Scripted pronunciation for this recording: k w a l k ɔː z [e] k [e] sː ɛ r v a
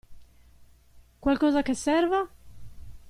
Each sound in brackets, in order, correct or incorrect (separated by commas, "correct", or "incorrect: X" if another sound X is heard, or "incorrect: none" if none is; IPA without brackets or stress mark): incorrect: a, correct